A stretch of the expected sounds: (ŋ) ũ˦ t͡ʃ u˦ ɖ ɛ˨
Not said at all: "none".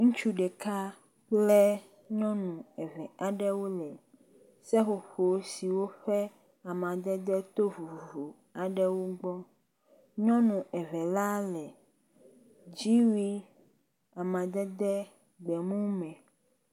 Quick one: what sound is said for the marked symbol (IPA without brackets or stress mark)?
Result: ŋ